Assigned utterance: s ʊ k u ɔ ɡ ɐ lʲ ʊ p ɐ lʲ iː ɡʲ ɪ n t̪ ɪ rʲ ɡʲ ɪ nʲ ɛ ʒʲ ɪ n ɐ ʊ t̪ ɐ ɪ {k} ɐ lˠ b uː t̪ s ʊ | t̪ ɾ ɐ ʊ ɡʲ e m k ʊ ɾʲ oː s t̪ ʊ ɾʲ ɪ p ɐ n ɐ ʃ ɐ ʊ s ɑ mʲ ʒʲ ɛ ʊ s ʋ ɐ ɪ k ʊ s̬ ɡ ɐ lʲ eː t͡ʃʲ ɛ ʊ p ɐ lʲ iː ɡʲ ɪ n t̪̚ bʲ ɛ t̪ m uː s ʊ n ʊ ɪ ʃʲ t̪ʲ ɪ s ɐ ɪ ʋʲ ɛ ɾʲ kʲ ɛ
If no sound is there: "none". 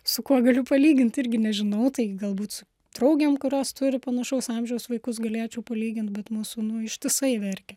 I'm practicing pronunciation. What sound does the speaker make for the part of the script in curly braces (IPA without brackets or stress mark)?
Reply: ɡ